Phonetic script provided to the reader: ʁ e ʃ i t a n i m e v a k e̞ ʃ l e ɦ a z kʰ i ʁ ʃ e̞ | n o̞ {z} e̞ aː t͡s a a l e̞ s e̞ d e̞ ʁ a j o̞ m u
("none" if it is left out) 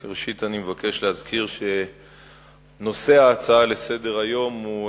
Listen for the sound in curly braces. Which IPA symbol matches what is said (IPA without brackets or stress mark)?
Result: s